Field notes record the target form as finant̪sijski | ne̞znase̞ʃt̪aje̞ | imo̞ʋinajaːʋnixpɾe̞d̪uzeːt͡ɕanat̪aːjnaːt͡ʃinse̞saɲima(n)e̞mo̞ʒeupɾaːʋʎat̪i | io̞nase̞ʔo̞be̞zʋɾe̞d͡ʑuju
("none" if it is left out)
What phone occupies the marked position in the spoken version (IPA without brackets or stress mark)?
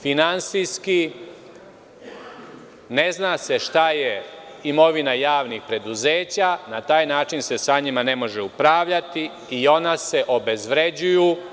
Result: n